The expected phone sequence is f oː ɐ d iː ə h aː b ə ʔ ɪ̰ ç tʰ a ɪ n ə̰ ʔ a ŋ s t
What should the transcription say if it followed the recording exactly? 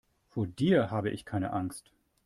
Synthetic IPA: f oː ɐ d iː ɐ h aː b ə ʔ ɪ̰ ç kʰ a ɪ n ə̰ ʔ a ŋ s t